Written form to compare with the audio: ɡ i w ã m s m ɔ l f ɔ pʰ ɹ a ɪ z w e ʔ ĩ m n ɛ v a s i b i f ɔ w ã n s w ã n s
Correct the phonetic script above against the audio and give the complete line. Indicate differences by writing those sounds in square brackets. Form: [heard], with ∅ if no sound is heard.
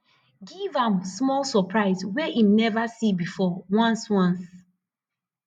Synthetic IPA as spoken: ɡ i [v] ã m s m ɔ l [s] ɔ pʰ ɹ a ɪ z w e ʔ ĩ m n ɛ v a s i b i f ɔ w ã n s w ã n s